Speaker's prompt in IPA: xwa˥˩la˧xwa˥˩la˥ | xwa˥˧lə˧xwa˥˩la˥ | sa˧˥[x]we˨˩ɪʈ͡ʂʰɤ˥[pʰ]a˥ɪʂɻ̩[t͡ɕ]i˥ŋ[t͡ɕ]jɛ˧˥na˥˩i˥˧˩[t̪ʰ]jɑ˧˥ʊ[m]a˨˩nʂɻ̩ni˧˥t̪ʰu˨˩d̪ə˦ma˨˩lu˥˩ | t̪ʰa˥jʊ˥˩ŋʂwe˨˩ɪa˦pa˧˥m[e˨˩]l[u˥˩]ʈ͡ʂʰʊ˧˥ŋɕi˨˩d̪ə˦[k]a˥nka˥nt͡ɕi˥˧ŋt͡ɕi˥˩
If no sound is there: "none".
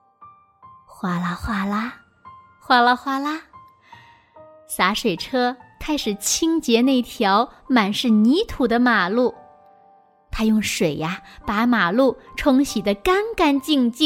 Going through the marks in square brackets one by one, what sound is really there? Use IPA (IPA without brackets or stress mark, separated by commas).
ʂ, kʰ, t͡ɕʰ, t͡ɕ, t̪ʰ, m, a˨˩, u˥˩, k